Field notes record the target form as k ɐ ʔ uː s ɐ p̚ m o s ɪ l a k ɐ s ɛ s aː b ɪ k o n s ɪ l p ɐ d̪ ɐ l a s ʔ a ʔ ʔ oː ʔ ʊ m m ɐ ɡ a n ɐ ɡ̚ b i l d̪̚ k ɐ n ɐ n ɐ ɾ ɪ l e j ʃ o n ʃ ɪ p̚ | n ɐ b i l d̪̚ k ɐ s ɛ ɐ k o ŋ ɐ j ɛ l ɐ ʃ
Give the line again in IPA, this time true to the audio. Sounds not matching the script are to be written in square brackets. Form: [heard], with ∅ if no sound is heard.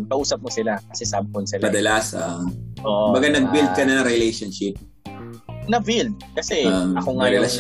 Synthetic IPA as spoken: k ɐ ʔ uː s ɐ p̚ m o s ɪ l a k ɐ s ɛ s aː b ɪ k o n s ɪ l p ɐ d̪ ɐ l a s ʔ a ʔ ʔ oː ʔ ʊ m [b] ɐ ɡ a n ɐ ɡ̚ b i l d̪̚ k ɐ n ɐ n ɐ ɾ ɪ l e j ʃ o n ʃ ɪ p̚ | n ɐ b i l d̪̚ k ɐ s ɛ ɐ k o ŋ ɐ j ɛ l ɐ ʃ